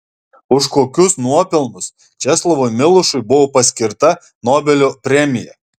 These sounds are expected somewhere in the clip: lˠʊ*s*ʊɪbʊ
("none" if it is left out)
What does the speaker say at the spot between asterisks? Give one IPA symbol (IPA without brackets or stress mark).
ʃ